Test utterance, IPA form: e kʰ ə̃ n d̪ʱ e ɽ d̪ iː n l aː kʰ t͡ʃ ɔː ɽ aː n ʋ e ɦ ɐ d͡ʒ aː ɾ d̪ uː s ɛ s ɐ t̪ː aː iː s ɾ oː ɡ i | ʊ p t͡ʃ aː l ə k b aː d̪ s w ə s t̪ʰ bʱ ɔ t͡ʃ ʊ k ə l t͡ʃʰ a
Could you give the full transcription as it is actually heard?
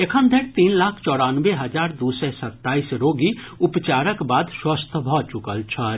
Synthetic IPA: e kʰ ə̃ n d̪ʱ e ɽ t̪ iː n l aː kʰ t͡ʃ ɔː ɽ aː n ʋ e ɦ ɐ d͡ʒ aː ɾ d̪ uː s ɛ s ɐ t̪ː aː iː s ɾ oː ɡ i | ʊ p t͡ʃ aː ɾ ə k b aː d̪ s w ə s t̪ʰ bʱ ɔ t͡ʃ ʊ k ə l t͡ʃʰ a